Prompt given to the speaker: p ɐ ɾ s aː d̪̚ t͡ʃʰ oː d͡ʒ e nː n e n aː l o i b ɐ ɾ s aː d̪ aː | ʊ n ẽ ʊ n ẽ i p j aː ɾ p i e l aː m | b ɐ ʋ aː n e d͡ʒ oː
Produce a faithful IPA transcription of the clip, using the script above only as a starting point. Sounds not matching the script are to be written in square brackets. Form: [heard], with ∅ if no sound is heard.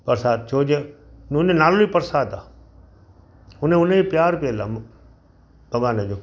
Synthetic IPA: p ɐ ɾ s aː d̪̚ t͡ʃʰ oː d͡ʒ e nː n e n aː l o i [p] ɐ ɾ s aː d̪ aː | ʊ n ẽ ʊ n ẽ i p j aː ɾ p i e l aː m | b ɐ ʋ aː n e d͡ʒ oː